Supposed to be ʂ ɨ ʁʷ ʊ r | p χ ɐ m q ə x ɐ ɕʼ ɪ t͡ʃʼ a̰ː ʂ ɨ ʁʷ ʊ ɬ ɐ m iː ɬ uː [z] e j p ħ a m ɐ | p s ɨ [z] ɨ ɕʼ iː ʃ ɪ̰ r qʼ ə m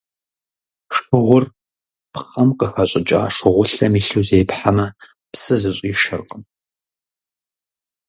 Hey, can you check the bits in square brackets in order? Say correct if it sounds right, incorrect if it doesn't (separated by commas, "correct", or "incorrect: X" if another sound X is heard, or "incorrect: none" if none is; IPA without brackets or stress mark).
correct, correct